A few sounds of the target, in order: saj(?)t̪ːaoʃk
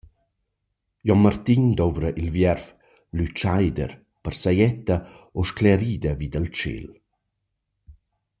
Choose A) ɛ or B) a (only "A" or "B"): A